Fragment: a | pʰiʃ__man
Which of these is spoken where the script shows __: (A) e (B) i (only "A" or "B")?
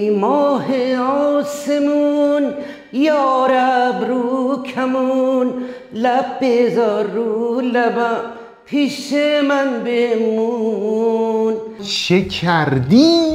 A